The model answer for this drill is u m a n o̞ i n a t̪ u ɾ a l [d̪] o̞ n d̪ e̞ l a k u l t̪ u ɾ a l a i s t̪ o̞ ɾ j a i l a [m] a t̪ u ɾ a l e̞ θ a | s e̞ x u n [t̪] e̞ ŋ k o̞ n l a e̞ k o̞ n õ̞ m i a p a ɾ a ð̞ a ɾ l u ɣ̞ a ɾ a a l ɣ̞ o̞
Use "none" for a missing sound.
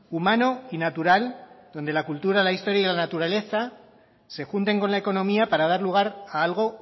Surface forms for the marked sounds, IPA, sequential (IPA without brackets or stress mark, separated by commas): d̪, n, t̪